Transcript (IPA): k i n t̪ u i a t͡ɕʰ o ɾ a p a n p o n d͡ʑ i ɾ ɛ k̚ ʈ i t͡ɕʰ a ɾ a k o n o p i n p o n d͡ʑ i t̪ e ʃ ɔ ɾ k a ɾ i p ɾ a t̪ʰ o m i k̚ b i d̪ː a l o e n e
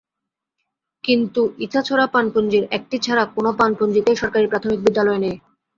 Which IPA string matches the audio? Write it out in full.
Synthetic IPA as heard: k i n t̪ u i a t͡ɕʰ o ɾ a p a n p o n d͡ʑ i ɾ ɛ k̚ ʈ i t͡ɕʰ a ɾ a k o n o p a n p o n d͡ʑ i t̪ e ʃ ɔ ɾ k a ɾ i p ɾ a t̪ʰ o m i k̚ b i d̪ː a l ɔ e n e